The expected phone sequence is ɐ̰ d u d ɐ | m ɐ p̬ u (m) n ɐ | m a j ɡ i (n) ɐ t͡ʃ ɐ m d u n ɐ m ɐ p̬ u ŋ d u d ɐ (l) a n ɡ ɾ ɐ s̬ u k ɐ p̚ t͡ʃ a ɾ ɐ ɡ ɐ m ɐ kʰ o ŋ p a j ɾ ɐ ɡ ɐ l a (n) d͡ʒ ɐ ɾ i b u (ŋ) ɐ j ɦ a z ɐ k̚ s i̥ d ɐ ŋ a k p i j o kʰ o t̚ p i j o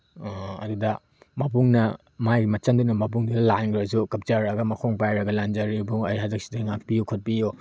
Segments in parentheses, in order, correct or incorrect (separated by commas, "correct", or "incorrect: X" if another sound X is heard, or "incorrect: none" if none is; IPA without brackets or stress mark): incorrect: ŋ, incorrect: m, correct, correct, correct